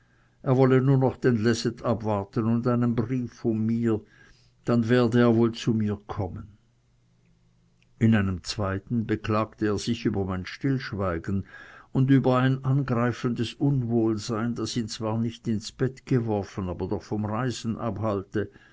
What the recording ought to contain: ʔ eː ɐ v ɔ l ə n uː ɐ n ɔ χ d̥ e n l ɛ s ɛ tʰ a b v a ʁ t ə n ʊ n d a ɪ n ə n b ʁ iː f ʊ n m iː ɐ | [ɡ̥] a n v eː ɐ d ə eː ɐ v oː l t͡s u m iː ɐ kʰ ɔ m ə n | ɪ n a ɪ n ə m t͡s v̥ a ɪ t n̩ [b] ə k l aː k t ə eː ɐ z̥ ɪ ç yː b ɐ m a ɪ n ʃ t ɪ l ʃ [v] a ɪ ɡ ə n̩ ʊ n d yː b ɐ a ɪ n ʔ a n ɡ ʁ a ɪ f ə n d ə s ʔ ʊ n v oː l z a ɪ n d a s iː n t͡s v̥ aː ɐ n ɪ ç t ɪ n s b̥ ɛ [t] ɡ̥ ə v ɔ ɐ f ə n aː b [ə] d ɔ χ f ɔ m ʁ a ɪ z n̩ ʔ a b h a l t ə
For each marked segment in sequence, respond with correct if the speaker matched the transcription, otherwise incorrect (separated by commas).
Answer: incorrect, correct, correct, correct, incorrect